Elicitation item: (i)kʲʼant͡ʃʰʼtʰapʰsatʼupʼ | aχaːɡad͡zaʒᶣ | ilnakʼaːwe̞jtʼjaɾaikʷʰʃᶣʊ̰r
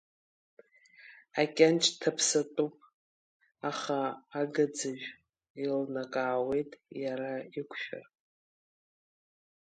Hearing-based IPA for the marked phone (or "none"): a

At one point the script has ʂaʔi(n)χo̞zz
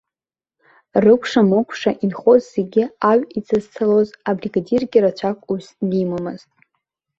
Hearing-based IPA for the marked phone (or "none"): n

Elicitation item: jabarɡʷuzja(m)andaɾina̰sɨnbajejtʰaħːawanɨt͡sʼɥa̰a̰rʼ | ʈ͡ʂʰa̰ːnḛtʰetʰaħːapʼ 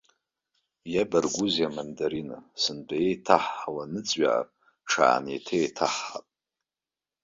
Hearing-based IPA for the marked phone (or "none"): m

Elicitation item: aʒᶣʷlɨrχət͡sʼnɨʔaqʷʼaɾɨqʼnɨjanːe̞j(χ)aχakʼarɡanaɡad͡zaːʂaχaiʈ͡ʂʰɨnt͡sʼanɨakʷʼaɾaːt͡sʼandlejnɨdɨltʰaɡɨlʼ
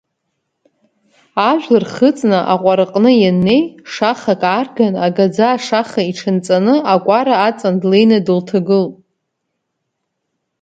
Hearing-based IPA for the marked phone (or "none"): ʂ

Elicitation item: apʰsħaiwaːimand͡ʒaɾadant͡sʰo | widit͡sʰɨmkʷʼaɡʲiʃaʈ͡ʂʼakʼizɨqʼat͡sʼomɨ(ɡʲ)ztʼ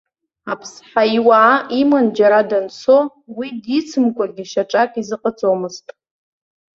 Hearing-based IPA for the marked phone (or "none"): none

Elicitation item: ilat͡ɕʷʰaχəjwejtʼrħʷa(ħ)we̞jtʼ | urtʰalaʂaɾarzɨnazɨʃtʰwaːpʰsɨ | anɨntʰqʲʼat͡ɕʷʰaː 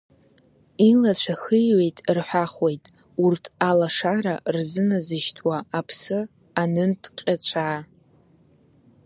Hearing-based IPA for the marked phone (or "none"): χ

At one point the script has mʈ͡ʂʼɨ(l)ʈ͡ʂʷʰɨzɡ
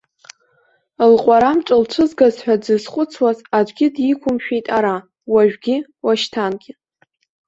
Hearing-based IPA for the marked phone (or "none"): l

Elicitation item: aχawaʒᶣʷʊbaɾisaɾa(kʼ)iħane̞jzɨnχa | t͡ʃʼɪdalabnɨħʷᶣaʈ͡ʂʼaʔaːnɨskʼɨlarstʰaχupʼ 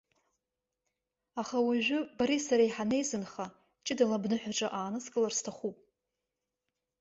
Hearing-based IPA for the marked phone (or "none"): none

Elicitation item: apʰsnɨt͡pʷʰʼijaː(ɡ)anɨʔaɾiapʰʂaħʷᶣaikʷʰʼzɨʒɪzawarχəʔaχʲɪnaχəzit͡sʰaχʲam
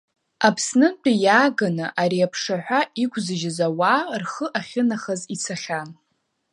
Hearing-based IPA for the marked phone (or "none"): ɡ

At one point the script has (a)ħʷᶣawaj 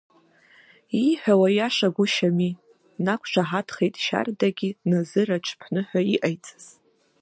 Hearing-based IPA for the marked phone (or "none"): i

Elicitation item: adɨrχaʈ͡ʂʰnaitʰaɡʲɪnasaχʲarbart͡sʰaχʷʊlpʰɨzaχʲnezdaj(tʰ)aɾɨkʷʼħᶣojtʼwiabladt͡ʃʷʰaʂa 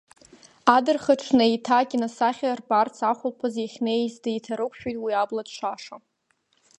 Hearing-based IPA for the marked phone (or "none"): tʰ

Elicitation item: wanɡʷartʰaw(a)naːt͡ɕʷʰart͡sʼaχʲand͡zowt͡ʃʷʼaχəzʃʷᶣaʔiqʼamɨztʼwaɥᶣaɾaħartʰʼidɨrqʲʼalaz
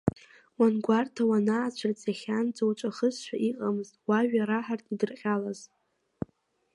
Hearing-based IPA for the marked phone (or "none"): a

